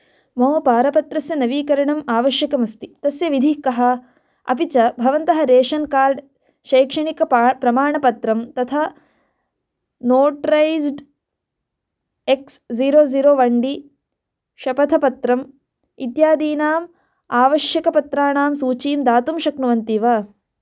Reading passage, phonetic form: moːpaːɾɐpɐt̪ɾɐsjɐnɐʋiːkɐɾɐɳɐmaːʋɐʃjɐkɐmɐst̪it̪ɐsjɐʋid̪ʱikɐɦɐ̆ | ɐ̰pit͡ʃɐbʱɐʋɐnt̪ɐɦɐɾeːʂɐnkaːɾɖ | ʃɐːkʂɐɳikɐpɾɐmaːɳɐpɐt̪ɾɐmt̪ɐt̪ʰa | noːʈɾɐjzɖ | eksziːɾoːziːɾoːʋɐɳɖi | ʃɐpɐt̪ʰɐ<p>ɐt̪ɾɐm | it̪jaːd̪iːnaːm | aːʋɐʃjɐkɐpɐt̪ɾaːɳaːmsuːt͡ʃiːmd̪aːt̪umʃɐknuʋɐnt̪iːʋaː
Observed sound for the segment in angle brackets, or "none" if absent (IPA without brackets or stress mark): p